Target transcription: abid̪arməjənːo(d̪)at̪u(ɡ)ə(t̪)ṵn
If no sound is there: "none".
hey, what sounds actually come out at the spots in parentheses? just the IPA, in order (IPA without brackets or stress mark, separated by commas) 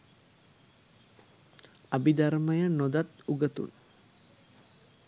d̪, ɡ, t̪